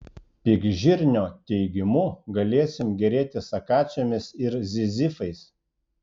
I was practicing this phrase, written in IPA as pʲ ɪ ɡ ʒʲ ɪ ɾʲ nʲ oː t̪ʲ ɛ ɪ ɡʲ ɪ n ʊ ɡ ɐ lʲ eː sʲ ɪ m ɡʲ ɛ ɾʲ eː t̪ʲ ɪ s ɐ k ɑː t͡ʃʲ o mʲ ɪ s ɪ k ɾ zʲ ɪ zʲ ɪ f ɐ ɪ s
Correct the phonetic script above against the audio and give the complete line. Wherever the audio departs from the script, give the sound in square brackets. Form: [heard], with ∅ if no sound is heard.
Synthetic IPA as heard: pʲ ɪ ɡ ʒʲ ɪ ɾʲ nʲ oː t̪ʲ ɛ ɪ ɡʲ ɪ [m] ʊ ɡ ɐ lʲ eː sʲ ɪ m ɡʲ ɛ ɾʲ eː t̪ʲ ɪ s ɐ k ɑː t͡ʃʲ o mʲ ɪ s ɪ [∅] ɾ zʲ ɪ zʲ ɪ f ɐ ɪ s